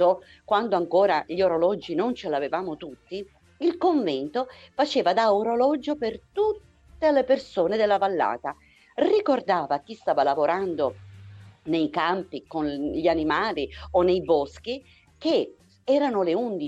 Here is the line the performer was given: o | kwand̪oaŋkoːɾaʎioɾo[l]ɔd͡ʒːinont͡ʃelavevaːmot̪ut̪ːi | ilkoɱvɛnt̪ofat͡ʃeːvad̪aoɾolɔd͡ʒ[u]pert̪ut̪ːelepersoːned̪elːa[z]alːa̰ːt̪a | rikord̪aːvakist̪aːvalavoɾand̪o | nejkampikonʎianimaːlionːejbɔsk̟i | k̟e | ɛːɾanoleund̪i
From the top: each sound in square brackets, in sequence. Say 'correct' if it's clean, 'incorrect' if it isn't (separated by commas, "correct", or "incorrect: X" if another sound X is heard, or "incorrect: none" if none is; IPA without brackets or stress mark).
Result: correct, incorrect: o, incorrect: v